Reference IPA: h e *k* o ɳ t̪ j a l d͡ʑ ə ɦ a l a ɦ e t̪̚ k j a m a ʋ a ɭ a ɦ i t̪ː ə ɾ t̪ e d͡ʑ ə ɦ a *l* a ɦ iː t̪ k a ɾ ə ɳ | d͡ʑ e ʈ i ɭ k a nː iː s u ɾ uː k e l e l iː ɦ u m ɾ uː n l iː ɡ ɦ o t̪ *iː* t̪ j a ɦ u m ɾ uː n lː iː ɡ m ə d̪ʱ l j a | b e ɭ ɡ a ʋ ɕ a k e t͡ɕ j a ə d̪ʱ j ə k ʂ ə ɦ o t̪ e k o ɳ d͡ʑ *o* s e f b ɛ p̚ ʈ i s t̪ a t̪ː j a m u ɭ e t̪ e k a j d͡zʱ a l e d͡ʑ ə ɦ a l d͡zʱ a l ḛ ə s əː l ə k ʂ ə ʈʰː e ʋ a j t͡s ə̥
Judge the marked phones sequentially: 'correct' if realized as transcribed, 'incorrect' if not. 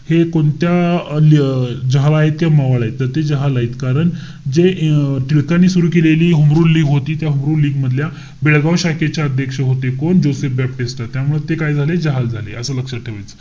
correct, correct, correct, correct

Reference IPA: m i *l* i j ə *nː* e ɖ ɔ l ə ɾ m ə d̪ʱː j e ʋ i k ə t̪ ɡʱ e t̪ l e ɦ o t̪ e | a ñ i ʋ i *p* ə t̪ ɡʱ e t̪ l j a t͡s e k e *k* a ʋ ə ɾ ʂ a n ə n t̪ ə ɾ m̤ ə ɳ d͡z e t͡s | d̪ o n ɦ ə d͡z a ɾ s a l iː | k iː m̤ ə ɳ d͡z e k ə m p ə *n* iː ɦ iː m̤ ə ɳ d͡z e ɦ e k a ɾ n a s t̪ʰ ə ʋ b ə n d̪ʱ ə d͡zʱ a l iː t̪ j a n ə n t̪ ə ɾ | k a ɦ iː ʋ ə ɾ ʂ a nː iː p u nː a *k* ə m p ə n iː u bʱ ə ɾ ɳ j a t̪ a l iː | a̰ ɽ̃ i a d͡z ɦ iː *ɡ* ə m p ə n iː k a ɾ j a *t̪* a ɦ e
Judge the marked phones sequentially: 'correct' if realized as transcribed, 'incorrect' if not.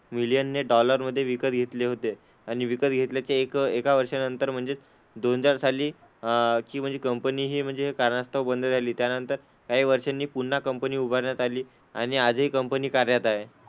correct, correct, incorrect: k, correct, correct, correct, incorrect: k, correct

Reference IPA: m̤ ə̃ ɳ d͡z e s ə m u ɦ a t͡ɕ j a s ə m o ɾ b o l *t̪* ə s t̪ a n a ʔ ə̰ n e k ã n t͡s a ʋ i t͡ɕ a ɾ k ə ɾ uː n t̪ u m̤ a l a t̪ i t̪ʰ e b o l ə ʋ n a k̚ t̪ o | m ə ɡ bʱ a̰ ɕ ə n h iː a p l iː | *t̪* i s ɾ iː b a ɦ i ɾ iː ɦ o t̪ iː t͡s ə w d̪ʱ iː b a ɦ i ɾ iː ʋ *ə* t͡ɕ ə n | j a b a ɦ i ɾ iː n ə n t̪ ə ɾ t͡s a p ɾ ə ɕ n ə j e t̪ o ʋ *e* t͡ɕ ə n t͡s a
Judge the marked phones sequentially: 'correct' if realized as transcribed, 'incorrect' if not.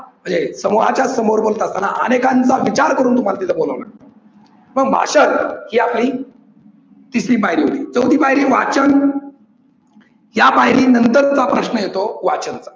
correct, correct, incorrect: a, incorrect: a

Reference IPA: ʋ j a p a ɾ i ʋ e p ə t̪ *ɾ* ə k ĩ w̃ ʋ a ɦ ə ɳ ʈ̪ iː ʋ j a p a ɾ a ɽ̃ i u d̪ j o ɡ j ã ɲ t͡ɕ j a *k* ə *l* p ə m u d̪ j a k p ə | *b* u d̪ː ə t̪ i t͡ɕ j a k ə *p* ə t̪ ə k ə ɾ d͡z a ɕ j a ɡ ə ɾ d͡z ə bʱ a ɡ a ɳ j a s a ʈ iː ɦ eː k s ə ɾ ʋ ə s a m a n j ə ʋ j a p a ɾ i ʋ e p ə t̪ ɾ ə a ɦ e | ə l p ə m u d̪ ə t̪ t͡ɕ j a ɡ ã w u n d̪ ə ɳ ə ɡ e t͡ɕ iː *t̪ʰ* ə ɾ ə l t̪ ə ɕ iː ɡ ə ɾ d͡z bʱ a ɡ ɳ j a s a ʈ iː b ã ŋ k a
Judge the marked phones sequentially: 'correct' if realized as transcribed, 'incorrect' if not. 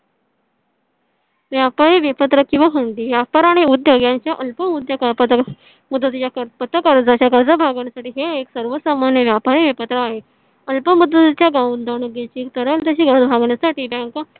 correct, incorrect: ʔ, correct, incorrect: m, correct, incorrect: t̪

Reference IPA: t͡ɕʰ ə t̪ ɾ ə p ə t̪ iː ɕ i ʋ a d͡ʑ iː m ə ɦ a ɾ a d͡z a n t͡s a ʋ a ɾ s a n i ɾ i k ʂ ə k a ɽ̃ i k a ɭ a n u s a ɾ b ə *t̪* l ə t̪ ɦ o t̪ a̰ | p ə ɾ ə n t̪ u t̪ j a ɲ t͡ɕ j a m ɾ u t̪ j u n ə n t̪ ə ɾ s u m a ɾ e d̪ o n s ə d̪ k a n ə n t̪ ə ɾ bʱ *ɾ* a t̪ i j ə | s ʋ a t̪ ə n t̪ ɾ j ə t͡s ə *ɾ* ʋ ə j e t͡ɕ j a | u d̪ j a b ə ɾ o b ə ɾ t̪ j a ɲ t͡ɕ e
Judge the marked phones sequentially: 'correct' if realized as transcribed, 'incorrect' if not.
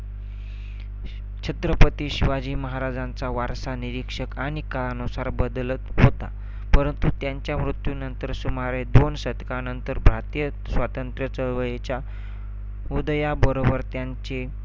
incorrect: d̪, correct, incorrect: ɭ

